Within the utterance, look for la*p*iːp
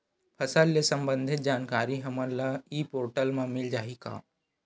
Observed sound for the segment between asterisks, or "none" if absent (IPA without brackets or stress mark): none